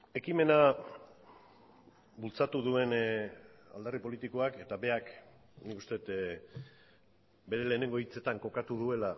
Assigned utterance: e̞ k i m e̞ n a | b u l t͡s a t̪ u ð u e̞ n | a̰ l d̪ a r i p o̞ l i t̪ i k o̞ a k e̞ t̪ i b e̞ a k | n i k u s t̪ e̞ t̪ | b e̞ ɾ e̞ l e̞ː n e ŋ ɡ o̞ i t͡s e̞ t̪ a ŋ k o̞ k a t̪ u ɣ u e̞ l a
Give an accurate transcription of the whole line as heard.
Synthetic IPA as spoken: e̞ k i m e̞ n a | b u l t͡s a t̪ u ð u e̞ n | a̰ l d̪ a r i p o̞ l i t̪ i k o̞ a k e̞ t̪ a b e̞ a k | n i k u s t̪ e̞ t̪ | b e̞ ɾ e̞ l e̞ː n e ŋ ɡ o̞ i t͡s e̞ t̪ a ŋ k o̞ k a t̪ u ð u e̞ l a